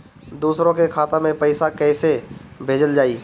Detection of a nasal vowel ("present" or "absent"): present